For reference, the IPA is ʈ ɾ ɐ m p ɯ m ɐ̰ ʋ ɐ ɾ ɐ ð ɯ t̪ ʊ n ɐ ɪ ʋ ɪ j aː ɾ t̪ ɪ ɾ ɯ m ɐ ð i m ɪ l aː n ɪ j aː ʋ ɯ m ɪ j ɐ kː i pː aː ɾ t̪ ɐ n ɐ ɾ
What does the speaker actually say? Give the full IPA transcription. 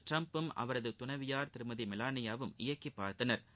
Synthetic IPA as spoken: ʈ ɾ ɐ m p ɯ m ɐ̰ ʋ ɐ ɾ ɐ ð ɯ t̪ ʊ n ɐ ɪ ʋ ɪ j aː ɾ t̪ ɪ ɾ ɯ m ɐ ð i m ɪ l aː n ɪ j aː ʋ ɯ m ɪ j ɐ kː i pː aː ɾ t̪ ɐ n ɐ ɾ